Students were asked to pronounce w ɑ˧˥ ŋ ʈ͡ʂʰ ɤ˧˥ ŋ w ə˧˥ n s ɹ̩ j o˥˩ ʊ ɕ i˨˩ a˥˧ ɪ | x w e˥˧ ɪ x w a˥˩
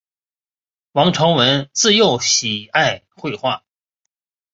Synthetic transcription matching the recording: w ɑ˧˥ ŋ ʈ͡ʂʰ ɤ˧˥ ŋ w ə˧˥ n t͡s ɹ̩ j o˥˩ ʊ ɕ i˨˩ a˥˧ ɪ | x w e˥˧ ɪ x w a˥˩